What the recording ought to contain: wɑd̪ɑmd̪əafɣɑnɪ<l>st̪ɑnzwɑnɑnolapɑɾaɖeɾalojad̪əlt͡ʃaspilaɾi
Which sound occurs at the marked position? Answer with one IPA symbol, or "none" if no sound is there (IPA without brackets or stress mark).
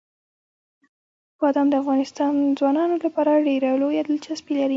none